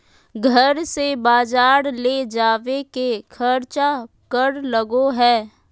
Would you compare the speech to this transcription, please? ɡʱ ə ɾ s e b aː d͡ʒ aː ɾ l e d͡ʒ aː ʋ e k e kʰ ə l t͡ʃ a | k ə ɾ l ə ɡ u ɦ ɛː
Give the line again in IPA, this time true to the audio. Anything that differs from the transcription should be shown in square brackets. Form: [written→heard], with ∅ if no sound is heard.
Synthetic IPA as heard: ɡʱ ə ɾ s e b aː d͡ʒ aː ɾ l e d͡ʒ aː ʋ e k e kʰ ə [l→ɾ] t͡ʃ a | k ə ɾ l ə ɡ [u→o] ɦ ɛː